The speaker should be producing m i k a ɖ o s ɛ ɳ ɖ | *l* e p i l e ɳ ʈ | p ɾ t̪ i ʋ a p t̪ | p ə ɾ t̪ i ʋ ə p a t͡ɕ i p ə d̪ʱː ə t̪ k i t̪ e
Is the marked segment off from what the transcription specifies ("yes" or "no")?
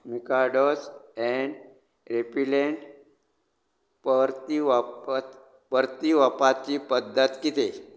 yes